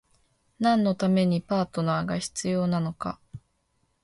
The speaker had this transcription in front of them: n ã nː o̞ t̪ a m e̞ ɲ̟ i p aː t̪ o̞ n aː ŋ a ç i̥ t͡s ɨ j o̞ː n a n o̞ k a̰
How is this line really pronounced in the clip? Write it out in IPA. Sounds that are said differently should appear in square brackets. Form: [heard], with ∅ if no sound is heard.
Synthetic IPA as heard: n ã nː o̞ t̪ a m e̞ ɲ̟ i p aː t̪ o̞ n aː [ɡ] a ç i̥ t͡s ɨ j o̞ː n a n o̞ k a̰